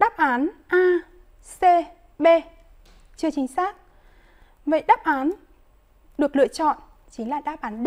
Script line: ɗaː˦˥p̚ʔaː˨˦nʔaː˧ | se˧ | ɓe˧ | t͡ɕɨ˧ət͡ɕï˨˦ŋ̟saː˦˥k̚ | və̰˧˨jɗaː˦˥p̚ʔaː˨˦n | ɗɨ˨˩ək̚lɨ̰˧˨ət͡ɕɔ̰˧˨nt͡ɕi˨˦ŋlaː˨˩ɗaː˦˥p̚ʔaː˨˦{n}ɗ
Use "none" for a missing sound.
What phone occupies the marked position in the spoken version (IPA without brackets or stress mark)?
n